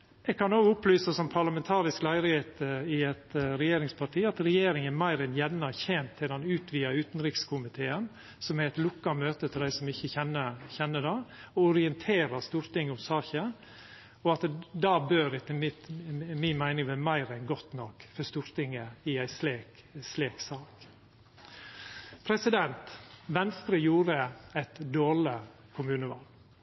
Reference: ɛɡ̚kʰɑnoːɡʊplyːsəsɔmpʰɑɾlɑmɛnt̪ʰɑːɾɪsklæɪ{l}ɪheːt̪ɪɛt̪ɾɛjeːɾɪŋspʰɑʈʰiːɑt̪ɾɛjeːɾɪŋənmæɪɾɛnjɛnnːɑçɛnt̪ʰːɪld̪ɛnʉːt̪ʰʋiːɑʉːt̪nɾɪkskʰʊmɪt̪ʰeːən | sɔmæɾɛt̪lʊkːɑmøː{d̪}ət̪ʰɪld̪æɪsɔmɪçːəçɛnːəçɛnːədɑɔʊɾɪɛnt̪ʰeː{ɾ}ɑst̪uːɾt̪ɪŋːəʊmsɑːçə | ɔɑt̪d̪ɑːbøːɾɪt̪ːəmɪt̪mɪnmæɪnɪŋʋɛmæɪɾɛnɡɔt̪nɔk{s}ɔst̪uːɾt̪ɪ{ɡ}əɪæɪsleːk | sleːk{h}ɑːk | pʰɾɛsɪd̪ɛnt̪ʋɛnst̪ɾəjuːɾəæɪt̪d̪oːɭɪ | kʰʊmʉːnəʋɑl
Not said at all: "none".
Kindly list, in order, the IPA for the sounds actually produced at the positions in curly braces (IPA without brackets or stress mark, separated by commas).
ɾ, t̪, ɾ, f, ŋ, s